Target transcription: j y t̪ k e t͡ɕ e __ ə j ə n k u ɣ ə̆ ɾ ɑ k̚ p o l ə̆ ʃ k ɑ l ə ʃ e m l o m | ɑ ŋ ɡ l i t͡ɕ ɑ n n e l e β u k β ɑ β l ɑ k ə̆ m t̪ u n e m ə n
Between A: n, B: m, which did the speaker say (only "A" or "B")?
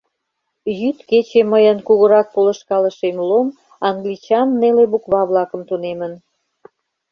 B